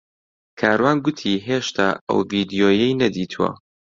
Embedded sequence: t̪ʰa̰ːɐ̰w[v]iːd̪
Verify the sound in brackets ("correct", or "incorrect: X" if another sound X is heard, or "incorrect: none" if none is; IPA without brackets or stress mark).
correct